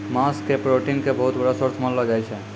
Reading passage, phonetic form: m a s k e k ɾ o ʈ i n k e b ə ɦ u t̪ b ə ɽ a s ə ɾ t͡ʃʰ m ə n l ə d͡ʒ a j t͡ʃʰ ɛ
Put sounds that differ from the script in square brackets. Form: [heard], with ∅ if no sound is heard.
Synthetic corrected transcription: m a s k e [p] ɾ o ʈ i n k e b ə ɦ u t̪ b ə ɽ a s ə ɾ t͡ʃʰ m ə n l ə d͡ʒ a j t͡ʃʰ ɛ